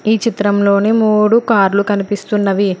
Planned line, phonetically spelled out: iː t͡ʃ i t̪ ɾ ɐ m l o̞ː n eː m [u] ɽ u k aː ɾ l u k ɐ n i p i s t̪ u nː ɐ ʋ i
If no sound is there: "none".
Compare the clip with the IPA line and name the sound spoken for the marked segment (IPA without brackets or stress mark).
uː